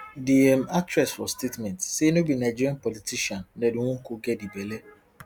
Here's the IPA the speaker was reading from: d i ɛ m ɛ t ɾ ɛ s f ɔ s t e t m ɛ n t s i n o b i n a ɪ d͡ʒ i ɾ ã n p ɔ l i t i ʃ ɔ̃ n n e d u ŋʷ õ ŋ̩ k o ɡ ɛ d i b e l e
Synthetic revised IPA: d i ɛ m a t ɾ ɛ s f ɔ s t e t m ɛ n t s e n o b i n a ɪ d͡ʒ i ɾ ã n p ɔ l i t i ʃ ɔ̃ n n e d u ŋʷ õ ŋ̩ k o ɡ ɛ d i b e l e